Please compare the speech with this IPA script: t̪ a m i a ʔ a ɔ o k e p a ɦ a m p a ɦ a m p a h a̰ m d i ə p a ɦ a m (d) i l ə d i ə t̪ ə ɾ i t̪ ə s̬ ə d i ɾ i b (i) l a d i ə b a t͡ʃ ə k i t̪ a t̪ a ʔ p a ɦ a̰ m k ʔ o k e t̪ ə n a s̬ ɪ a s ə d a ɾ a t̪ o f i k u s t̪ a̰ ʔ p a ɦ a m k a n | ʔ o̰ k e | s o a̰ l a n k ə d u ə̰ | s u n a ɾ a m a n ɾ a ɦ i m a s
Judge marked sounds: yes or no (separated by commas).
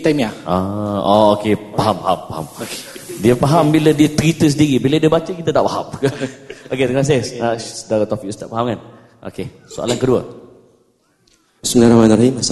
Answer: no, yes